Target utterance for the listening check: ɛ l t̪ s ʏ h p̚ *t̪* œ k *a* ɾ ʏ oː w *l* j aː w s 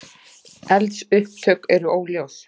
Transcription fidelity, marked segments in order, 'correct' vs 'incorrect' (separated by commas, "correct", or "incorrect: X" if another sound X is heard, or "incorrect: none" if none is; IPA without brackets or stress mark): incorrect: t̪ʰ, incorrect: ɛ, correct